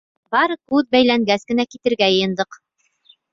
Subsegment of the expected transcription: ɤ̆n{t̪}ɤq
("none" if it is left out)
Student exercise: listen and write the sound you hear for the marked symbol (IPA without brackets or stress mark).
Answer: d̪